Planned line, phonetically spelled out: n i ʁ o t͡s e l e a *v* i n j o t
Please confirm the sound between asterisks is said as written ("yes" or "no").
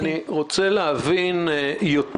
yes